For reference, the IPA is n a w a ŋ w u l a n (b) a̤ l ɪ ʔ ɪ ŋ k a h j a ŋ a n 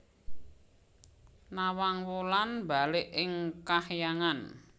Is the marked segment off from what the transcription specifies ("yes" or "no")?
no